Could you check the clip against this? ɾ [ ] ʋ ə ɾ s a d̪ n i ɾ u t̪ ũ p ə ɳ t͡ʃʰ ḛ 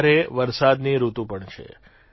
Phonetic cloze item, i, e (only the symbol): e